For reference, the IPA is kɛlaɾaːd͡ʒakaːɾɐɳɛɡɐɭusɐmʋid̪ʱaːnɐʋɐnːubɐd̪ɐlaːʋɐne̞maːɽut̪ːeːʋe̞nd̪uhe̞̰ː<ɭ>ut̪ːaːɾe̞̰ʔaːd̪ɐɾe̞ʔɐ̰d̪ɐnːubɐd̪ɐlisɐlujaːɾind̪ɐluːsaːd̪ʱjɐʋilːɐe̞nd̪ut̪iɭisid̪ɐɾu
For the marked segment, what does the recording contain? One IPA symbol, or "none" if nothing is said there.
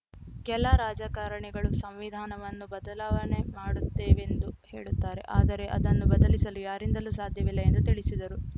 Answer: ɭ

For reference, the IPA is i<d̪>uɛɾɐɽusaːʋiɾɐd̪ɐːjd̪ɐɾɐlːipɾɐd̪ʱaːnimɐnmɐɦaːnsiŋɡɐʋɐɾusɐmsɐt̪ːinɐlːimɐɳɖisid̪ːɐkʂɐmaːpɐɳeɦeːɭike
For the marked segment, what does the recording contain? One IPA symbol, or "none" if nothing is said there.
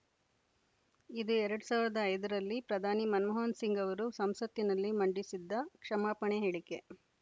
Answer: d̪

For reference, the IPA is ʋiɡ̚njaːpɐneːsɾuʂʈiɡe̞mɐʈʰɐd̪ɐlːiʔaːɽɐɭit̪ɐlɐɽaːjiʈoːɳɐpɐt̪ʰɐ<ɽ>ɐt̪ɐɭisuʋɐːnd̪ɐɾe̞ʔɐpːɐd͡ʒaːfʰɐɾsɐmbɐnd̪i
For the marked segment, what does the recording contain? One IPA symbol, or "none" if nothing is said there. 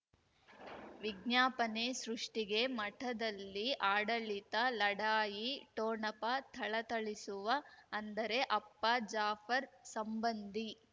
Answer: ɭ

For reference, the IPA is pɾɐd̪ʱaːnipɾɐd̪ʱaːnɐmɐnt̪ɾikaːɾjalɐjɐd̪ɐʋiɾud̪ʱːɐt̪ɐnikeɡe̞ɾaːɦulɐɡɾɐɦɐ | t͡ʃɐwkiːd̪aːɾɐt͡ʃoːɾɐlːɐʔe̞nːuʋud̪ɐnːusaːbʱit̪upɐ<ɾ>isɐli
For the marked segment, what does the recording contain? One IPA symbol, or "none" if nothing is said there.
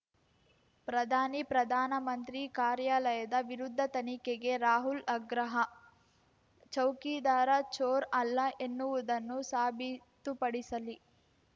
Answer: ɽ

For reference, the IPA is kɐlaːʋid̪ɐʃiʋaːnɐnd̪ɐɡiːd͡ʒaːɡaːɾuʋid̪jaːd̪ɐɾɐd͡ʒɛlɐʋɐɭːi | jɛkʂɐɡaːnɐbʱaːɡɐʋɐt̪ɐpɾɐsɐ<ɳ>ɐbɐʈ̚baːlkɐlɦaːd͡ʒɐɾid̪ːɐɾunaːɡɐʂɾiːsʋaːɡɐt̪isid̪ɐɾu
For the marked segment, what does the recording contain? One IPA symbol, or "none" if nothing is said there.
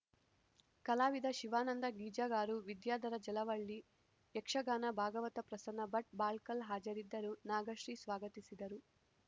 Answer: n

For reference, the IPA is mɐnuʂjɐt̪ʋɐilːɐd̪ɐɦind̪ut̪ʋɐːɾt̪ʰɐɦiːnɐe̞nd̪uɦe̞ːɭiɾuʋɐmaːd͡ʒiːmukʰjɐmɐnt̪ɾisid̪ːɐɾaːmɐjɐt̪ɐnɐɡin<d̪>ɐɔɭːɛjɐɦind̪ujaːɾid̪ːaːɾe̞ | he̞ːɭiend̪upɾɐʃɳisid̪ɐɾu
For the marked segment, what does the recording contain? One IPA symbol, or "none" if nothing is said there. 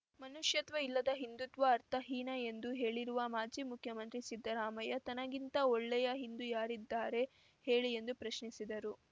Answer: t̪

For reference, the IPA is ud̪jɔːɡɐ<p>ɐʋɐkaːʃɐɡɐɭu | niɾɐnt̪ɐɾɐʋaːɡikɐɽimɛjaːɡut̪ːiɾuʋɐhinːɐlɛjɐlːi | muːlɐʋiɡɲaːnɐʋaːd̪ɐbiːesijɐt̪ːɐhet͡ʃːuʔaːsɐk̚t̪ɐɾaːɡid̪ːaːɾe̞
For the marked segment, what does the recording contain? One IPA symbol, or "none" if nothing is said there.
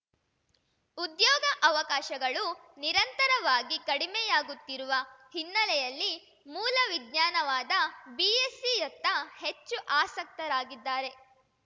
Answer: ʔ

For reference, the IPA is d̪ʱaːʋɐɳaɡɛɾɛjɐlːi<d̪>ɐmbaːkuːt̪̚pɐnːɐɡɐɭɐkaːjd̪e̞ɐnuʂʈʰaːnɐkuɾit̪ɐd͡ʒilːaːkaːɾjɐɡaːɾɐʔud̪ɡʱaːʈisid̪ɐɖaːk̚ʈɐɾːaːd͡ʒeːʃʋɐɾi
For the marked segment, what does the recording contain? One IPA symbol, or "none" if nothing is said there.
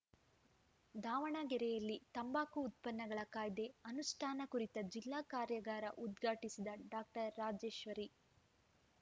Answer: t̪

